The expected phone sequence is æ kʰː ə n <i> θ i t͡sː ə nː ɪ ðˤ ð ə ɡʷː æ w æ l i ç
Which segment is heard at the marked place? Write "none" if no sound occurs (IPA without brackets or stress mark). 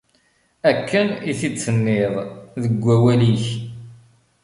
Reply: i